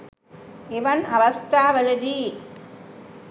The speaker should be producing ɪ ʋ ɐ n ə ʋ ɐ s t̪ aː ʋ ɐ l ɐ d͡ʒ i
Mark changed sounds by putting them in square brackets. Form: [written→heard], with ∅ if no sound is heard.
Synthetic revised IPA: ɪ ʋ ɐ n [ə→ɐ] ʋ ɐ s t̪ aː ʋ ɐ l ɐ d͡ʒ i